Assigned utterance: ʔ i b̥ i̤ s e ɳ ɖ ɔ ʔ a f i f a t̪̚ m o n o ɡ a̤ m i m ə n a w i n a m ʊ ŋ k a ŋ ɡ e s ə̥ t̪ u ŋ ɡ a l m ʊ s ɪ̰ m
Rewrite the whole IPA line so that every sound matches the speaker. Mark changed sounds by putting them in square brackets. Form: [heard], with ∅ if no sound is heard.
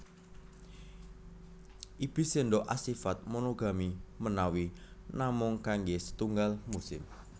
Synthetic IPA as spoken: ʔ i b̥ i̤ s e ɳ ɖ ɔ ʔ a [s] i f a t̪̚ m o n o ɡ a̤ m i m ə n a w i n a m ʊ ŋ k a ŋ ɡ e s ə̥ t̪ u ŋ ɡ a l m [u] s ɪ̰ m